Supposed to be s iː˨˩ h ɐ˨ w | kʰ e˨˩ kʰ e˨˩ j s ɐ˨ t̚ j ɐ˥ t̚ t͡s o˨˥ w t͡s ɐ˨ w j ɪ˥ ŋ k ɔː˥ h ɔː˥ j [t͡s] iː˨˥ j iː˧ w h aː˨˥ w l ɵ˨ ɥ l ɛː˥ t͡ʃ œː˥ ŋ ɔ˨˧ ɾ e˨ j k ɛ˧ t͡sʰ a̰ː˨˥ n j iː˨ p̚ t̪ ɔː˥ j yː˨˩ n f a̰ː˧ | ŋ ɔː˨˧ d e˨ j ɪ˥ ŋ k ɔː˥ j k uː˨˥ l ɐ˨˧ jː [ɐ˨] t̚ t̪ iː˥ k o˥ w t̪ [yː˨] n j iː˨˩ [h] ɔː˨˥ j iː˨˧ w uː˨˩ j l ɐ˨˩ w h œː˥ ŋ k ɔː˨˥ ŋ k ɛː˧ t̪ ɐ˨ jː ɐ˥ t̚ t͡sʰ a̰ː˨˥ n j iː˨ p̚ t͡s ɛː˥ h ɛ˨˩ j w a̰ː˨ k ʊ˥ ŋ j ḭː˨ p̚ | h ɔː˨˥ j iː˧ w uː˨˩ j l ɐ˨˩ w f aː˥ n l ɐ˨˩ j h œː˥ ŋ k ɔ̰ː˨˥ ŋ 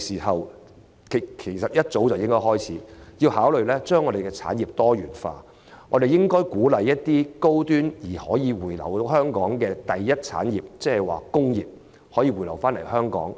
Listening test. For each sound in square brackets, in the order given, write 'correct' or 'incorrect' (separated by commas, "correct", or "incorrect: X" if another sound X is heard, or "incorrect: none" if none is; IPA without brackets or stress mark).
incorrect: t͡sʰ, incorrect: ɐ˥, incorrect: yː˥, correct